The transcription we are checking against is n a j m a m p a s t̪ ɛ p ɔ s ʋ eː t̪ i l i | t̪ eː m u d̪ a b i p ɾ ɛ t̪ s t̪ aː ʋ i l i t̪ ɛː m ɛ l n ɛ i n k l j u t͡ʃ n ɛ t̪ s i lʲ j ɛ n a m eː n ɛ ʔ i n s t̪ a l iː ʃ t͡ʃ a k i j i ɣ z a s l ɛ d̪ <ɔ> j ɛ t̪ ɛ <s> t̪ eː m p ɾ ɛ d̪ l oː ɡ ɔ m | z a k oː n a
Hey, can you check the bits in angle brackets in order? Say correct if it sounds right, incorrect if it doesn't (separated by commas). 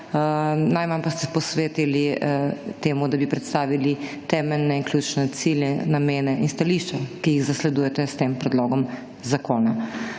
incorrect, correct